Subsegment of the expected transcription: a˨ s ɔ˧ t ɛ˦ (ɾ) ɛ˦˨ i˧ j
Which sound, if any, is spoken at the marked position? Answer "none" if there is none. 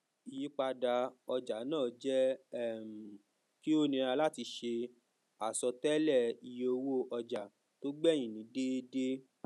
l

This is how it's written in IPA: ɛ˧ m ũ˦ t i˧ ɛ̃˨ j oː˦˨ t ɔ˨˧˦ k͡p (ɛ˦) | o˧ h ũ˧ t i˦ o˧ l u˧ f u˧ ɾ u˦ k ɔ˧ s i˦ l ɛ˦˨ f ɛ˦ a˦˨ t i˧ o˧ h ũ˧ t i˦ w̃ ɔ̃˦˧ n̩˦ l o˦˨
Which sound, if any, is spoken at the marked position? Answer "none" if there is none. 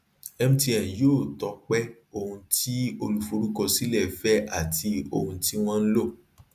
ɛ˦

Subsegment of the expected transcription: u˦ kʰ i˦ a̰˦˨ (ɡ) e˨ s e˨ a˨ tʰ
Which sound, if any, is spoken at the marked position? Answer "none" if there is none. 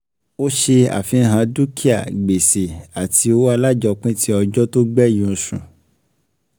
ɡ͡b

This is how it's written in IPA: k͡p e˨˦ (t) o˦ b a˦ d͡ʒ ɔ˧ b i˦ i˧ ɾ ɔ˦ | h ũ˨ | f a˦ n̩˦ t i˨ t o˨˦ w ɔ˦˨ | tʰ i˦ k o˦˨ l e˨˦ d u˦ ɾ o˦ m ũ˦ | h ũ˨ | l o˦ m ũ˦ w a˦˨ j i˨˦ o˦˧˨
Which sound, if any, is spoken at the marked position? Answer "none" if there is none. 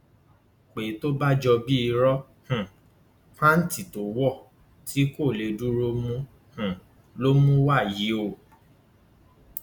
t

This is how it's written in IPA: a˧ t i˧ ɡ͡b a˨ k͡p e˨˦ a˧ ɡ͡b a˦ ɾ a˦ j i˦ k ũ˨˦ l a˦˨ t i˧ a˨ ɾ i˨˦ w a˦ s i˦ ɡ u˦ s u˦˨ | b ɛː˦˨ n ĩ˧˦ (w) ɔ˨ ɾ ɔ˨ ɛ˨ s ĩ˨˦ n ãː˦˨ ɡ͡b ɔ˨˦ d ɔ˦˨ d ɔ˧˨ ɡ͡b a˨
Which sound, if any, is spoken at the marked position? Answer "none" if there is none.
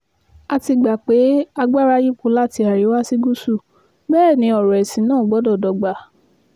none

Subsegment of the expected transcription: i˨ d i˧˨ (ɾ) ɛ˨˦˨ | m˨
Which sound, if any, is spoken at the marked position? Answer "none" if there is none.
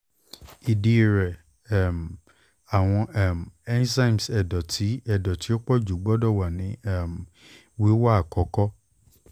ɾ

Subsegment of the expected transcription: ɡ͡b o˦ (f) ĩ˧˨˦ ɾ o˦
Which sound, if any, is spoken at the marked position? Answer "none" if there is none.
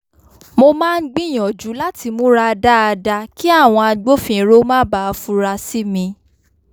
f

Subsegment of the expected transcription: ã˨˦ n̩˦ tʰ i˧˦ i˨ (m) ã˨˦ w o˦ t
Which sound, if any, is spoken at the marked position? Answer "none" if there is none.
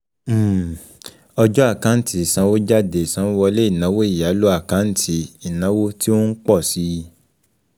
n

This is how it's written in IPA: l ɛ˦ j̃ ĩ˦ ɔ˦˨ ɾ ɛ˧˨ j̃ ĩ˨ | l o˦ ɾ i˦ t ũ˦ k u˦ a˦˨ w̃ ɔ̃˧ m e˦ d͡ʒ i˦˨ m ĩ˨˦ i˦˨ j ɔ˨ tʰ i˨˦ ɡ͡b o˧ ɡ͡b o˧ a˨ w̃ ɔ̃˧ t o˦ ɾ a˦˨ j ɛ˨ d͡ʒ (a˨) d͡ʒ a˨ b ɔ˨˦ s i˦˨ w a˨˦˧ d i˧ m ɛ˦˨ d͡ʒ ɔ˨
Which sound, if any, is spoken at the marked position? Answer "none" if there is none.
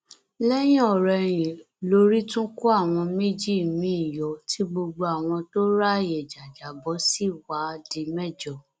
a˨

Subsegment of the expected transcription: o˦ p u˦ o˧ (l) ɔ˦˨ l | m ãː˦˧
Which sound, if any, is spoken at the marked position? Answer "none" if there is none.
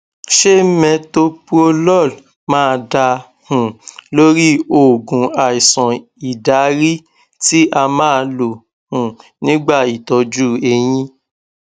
l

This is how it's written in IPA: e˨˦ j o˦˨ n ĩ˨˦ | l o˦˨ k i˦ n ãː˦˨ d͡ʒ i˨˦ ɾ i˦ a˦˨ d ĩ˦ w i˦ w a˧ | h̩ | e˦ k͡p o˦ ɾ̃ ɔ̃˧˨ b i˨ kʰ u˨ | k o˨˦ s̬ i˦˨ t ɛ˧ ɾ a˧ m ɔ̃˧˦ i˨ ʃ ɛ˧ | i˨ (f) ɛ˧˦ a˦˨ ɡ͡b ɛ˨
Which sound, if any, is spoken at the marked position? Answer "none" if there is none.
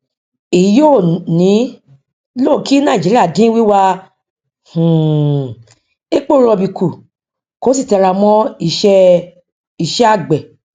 ʃ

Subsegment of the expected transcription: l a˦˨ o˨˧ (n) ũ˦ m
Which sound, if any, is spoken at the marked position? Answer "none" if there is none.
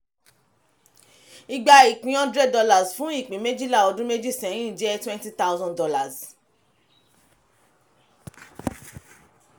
d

